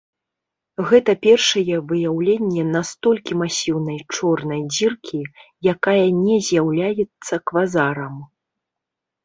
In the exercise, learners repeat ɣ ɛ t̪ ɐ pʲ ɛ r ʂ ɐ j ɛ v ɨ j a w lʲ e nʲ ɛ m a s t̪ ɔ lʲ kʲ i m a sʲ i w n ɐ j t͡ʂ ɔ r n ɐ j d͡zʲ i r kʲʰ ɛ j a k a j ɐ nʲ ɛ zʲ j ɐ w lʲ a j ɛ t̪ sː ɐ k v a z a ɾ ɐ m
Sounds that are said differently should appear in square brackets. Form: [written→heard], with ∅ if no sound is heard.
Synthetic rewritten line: ɣ ɛ t̪ ɐ pʲ ɛ r ʂ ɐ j ɛ v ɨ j a w lʲ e [nʲ→nʲː] ɛ [m→n] a s t̪ ɔ lʲ kʲ i m a sʲ i w n ɐ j t͡ʂ ɔ r n ɐ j d͡zʲ i r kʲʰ [ɛ→i] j a k a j ɐ nʲ ɛ zʲ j [ɐ→a] w lʲ a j ɛ t̪ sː ɐ k v a z a ɾ ɐ m